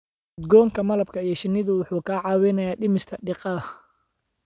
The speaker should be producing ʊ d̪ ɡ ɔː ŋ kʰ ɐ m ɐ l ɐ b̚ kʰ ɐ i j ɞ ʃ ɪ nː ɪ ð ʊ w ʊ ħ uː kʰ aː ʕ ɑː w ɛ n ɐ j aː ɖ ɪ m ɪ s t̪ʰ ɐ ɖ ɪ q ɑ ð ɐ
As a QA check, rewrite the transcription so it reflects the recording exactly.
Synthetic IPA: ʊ d̪ ɡ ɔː ŋ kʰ ɐ m ɐ l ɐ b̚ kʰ ɐ i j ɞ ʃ ɪ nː ɪ ð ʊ w ʊ ħ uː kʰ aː ʕ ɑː w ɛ n ɐ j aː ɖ ɪ m ɪ s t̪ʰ ɐ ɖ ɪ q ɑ ð ɐ